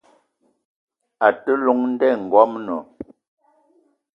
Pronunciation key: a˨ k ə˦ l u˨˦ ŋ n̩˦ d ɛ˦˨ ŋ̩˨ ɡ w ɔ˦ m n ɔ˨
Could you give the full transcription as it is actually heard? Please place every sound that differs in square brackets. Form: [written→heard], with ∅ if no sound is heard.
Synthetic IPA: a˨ [k→t] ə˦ l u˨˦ ŋ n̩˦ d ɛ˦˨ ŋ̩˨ ɡ w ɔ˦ m n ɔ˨